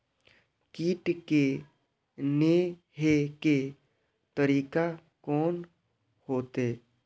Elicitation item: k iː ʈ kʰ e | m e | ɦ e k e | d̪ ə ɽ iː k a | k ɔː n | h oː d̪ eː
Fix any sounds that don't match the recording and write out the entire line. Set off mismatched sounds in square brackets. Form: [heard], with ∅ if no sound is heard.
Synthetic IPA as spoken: k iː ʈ [k] e | [n] e | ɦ e k e | [t̪] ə [ɾ] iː k a | k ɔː n | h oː [t̪] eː